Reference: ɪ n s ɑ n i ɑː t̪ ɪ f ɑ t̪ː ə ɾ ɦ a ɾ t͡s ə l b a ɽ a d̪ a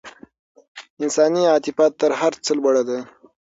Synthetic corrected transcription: ɪ n s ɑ n i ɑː t̪ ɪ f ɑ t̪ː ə ɾ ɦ a ɾ t͡s ə l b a ɽ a d̪ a